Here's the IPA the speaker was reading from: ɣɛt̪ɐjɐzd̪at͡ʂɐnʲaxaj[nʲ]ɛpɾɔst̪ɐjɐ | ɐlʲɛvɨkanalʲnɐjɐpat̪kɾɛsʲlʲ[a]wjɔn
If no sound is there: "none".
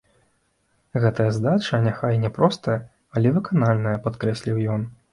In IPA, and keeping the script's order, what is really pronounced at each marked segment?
nʲ, i

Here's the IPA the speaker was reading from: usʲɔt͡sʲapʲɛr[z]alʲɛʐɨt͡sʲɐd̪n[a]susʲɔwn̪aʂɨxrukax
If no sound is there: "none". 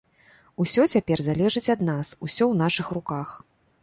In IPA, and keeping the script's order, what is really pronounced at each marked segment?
z, a

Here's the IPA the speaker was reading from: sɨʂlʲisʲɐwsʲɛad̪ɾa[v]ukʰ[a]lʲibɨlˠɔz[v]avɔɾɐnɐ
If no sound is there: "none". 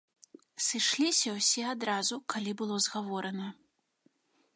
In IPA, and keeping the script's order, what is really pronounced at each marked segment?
z, a, ɣ

